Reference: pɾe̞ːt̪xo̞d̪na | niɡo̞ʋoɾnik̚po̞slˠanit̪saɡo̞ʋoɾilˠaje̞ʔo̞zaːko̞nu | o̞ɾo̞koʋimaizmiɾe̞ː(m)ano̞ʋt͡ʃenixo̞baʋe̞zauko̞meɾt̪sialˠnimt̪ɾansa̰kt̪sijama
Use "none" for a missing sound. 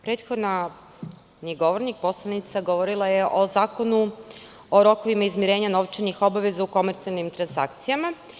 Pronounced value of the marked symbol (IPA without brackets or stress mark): ɲ